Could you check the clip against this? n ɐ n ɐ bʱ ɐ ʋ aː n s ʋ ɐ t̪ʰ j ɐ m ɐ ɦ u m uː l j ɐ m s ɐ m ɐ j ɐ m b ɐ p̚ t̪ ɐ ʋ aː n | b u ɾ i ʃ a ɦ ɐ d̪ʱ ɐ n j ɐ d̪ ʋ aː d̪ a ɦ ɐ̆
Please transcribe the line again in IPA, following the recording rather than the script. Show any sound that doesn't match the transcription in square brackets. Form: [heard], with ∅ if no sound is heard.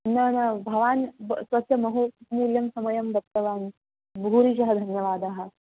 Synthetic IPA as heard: n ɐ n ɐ bʱ ɐ ʋ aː n s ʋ ɐ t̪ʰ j ɐ m ɐ ɦ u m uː l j ɐ m s ɐ m ɐ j ɐ m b ɐ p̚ t̪ ɐ ʋ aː n | b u ɾ i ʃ [ɐ] ɦ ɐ d̪ʱ ɐ n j ɐ [∅] ʋ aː d̪ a ɦ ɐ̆